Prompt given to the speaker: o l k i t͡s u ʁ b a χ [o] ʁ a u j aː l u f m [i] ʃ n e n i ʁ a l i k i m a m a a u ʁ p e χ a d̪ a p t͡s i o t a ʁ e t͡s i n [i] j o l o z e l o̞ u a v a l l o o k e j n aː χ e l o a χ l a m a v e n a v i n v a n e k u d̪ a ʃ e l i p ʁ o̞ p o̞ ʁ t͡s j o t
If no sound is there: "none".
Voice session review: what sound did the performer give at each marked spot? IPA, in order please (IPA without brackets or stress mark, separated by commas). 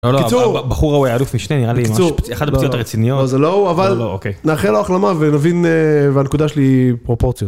u, i, i